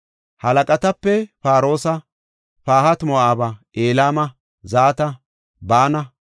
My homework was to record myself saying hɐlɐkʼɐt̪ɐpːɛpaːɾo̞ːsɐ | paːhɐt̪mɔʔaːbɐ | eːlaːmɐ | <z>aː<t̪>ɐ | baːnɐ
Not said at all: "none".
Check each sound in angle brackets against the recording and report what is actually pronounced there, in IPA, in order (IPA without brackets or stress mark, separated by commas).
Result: z, t̪